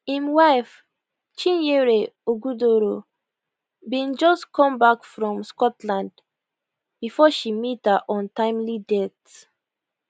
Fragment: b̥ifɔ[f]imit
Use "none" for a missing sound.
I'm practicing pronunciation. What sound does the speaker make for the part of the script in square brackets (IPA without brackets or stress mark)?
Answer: ʃ